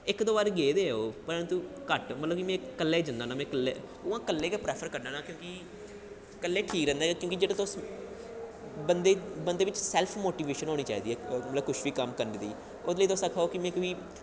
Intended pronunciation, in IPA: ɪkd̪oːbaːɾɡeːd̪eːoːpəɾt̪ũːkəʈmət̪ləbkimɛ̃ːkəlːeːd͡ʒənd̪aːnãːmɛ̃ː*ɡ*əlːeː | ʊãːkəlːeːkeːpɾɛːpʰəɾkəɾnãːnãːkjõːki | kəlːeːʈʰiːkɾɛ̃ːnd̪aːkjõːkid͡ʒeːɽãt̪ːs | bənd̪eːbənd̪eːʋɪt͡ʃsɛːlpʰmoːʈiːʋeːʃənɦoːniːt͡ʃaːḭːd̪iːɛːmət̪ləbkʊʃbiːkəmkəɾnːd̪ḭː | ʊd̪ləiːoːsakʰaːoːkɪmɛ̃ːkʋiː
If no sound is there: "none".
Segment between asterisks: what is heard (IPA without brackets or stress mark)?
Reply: k